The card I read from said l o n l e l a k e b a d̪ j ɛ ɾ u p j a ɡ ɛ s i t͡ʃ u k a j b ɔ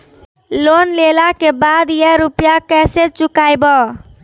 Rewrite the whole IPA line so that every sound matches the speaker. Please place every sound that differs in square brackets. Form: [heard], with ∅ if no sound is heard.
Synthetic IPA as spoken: l o n l e l a k e b a d̪ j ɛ ɾ u p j a [k] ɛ s [e] t͡ʃ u k a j b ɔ